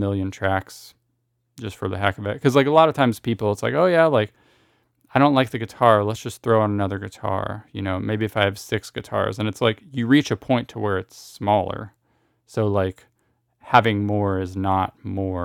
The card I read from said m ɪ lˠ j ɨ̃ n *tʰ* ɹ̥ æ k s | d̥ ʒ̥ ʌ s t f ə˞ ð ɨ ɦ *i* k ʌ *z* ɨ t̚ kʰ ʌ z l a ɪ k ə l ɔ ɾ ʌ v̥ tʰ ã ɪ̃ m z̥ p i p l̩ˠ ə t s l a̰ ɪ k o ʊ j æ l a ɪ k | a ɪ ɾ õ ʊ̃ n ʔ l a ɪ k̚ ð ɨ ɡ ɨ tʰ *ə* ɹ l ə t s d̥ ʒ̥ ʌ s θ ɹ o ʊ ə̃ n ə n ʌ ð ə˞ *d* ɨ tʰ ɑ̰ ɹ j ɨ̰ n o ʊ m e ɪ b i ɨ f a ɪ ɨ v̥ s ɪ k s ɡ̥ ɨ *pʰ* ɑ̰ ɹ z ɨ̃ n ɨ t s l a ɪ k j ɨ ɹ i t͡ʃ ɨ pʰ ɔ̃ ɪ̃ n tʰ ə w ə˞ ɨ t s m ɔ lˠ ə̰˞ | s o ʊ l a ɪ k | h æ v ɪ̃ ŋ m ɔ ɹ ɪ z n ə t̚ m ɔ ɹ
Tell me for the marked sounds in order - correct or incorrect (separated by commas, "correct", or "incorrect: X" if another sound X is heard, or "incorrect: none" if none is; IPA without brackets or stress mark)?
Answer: correct, incorrect: æ, incorrect: v, incorrect: ɑ, incorrect: ɡ, incorrect: tʰ